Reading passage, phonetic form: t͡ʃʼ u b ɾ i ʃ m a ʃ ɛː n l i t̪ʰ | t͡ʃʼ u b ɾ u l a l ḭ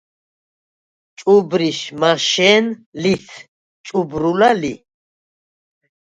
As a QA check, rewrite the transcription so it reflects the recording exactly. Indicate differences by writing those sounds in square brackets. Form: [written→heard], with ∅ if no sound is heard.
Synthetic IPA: t͡ʃʼ u b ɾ i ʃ m a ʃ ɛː n l i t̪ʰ | t͡ʃʼ u b ɾ u l a l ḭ